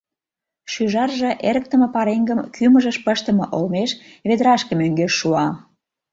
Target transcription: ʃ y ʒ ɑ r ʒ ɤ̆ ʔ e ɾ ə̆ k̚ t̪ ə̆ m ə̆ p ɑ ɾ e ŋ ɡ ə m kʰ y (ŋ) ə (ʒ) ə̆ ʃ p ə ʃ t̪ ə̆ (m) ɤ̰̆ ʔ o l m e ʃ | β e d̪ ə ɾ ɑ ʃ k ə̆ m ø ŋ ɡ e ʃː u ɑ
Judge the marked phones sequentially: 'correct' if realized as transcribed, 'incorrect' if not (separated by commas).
incorrect, correct, correct